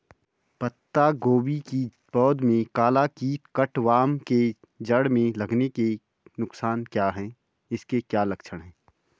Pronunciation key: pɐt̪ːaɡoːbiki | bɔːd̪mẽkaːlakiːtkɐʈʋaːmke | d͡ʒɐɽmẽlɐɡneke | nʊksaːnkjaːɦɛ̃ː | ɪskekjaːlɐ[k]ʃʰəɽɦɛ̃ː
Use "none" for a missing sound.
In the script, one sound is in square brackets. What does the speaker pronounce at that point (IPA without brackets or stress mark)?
k